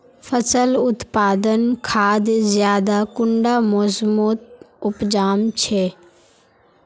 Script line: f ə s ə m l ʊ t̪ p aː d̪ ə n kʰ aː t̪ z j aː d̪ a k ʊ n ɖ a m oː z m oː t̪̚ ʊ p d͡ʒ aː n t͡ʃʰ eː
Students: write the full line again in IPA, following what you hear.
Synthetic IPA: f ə s ə l ʊ t̪ p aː d̪ ə n kʰ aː d̪ z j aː d̪ a k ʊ ɳ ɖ a m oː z m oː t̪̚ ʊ p d͡ʒ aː m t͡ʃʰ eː